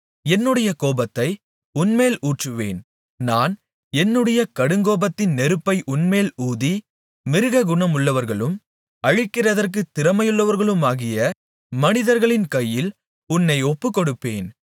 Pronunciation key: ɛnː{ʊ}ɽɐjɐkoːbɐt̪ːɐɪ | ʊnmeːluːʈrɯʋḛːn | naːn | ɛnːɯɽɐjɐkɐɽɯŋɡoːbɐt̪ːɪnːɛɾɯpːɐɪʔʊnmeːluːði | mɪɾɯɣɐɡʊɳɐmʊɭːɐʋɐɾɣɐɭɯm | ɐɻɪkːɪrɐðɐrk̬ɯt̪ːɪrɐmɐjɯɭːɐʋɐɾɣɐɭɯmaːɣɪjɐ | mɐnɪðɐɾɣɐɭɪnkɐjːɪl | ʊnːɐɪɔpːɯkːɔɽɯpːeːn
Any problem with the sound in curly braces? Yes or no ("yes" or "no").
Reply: yes